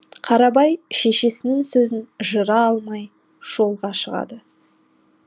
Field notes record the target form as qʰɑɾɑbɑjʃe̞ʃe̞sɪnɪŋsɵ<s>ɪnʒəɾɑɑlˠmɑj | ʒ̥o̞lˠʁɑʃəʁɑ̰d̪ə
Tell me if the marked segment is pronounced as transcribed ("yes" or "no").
no